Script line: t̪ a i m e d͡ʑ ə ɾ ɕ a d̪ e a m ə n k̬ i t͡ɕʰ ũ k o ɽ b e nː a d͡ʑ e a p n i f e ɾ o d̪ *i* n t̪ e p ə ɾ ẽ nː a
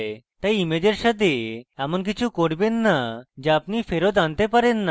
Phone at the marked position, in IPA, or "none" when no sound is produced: a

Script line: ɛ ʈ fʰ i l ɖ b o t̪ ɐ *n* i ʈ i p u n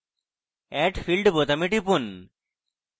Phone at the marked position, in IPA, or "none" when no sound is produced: m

